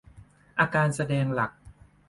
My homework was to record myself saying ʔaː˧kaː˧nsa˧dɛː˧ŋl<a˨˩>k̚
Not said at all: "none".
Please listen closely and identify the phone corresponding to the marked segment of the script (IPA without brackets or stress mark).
a˨˩